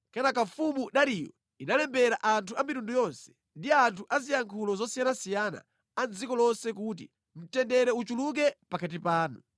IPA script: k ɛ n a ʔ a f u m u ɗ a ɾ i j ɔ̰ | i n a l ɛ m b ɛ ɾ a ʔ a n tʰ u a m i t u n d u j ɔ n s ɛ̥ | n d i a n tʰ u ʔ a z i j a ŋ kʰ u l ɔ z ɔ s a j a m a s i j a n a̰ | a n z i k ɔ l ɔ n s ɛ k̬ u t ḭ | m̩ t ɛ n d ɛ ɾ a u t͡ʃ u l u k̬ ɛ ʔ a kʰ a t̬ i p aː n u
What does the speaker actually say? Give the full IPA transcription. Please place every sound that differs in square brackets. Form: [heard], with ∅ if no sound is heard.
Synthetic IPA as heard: k ɛ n a [k] a f u m u ɗ a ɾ i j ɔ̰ | i n a l ɛ m b ɛ ɾ a ʔ a n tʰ u a m i t u n d u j ɔ n s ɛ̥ | n d i a n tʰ u ʔ a z i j a ŋ kʰ u l ɔ z ɔ s [i] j a [n] a s i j a n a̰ | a n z i k ɔ l ɔ n s ɛ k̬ u t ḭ | m̩ t ɛ n d ɛ ɾ [ɛ] u t͡ʃ u l u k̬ ɛ [p] a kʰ a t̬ i p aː n u